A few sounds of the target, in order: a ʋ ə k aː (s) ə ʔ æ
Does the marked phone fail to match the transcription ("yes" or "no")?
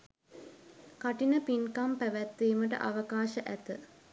yes